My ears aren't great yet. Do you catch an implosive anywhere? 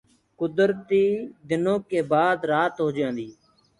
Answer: no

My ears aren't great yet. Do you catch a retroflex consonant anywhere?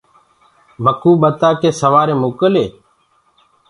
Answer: no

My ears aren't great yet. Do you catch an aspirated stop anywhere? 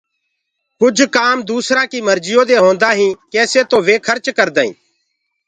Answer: yes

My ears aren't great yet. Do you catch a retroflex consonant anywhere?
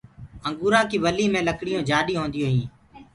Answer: yes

